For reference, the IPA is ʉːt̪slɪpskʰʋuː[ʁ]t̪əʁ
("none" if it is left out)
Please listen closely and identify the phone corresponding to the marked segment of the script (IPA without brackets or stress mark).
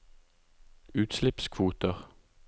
none